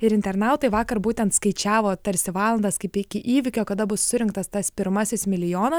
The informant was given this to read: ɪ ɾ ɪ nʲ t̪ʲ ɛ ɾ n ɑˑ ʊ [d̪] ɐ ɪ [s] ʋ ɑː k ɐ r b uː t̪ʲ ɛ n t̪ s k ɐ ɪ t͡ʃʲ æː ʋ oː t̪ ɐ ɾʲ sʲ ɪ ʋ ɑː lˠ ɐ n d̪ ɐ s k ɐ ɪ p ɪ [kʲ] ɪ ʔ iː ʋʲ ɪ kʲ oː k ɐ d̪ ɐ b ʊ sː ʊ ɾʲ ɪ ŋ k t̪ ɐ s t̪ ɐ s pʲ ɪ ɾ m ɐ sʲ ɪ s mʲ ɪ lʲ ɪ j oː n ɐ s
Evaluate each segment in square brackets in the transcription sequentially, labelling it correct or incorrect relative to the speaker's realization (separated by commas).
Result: incorrect, incorrect, correct